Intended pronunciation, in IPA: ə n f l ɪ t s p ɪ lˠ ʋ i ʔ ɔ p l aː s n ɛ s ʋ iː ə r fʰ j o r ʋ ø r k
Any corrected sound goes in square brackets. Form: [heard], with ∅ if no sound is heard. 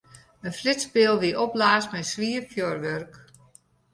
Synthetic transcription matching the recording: ə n f l ɪ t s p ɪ lˠ ʋ i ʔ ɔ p l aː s [m] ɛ s ʋ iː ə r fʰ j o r ʋ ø r k